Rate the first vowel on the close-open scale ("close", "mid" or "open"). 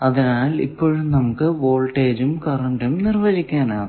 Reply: open